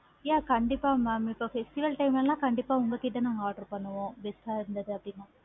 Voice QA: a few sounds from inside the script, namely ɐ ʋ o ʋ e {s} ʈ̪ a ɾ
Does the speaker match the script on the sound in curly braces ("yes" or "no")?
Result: yes